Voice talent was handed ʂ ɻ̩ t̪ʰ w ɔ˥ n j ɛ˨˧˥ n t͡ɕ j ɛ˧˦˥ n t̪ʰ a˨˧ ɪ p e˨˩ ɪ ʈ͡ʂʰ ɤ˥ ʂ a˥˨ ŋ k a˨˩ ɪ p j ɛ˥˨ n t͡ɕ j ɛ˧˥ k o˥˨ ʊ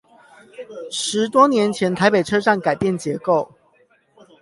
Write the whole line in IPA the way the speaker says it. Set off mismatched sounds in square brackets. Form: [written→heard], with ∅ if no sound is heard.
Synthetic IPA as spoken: ʂ ɻ̩ [t̪ʰ→t̪] w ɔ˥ n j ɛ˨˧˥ n [t͡ɕ→t͡ɕʰ] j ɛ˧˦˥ n t̪ʰ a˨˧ ɪ p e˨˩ ɪ ʈ͡ʂʰ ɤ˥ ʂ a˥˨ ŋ k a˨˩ ɪ p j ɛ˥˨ n t͡ɕ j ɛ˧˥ k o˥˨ ʊ